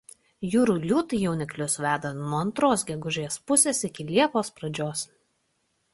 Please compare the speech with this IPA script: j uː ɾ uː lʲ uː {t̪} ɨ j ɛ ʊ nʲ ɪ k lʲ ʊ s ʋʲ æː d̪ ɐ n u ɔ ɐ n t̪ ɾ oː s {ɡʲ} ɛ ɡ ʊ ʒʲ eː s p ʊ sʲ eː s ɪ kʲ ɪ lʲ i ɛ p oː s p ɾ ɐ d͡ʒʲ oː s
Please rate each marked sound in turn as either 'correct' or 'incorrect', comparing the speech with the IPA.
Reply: correct, correct

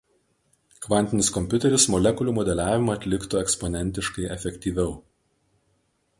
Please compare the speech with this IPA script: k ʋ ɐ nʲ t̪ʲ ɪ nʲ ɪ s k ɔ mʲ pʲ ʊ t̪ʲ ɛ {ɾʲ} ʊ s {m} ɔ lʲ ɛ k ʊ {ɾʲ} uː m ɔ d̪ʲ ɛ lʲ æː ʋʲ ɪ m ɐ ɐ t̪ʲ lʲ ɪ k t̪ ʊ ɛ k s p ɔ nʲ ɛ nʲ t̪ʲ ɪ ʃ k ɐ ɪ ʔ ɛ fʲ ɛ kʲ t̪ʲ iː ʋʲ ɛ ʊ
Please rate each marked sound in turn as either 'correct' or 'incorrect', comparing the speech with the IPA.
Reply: correct, correct, incorrect: lʲ

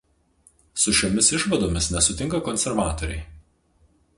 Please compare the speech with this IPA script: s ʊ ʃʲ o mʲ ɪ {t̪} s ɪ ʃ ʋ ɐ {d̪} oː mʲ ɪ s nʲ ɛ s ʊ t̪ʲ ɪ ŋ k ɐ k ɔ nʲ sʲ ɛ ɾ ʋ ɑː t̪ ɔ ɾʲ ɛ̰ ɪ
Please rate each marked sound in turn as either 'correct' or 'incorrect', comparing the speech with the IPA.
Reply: incorrect: none, correct

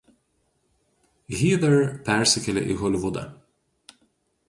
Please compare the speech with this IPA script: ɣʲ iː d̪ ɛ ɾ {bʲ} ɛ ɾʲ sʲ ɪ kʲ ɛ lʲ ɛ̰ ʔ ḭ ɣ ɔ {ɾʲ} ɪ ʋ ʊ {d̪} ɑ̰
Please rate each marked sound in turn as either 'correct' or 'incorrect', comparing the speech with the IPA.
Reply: incorrect: pʲ, incorrect: lʲ, correct

